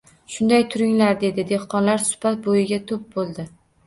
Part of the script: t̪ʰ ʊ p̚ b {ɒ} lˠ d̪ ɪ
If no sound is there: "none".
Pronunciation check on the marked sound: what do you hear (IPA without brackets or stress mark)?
o